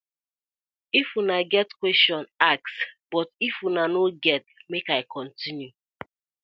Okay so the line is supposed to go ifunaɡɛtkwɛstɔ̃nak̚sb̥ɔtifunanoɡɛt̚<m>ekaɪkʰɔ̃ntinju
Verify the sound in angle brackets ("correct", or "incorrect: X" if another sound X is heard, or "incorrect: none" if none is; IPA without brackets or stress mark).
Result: correct